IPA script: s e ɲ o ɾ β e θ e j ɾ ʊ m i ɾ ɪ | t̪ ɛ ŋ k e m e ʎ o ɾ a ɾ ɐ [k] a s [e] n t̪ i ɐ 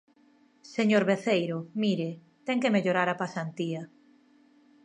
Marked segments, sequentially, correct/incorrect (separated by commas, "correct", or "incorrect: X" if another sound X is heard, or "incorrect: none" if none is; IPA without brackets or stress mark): incorrect: p, incorrect: a